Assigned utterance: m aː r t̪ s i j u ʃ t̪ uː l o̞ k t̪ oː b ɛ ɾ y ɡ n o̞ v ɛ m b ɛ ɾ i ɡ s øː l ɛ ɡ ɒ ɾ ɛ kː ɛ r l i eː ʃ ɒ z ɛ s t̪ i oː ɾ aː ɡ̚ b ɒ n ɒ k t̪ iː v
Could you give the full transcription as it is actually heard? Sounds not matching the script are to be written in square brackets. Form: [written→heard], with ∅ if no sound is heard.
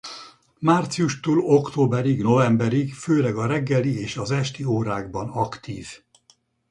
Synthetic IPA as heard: m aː r t̪ s i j u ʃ t̪ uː l o̞ k t̪ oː b ɛ ɾ [y→i] ɡ n o̞ v ɛ m b ɛ ɾ i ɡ [s→f] øː l ɛ ɡ ɒ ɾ ɛ [kː→ɡː] ɛ [r→∅] l i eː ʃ ɒ z ɛ [s→ʃ] t̪ i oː ɾ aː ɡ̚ b ɒ n ɒ k t̪ iː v

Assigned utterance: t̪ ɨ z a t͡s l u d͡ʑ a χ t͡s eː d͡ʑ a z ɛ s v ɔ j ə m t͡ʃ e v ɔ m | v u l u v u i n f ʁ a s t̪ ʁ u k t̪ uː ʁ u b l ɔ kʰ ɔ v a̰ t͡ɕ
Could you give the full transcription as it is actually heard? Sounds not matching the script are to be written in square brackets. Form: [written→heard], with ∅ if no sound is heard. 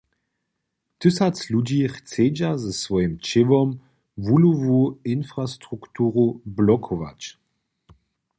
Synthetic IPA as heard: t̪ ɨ [z→s] a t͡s l u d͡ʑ [a→i] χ t͡s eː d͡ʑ a z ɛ s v ɔ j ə m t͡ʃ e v ɔ m | v u l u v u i n f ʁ a s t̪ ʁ u k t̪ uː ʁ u b l ɔ kʰ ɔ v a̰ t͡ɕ

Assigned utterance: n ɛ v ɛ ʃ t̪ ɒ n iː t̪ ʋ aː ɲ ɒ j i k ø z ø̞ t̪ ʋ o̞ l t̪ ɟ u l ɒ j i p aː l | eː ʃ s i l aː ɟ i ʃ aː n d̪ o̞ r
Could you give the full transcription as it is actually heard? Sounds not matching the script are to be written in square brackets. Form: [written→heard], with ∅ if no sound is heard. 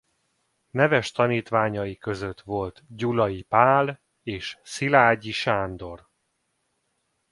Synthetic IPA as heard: n ɛ v ɛ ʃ t̪ ɒ n iː t̪ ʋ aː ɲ ɒ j i k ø z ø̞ t̪ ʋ o̞ l t̪ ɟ u l ɒ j i p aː l | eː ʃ s i l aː ɟ i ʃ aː n d̪ o̞ r

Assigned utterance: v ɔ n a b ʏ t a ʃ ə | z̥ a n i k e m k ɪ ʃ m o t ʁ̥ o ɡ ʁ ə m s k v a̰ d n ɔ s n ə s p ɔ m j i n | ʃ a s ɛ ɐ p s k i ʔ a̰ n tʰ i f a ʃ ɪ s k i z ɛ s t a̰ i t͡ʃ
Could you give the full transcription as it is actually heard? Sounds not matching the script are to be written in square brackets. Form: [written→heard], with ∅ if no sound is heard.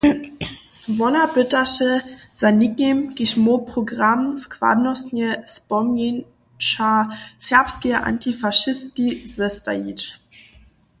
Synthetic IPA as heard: v ɔ n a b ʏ t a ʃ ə | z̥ a n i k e m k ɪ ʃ m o [t→p] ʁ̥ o ɡ ʁ [ə→a] m s k v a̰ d n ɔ s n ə s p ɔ m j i n | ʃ a s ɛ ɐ p s k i ʔ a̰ n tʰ i f a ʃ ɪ s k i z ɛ s t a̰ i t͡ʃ

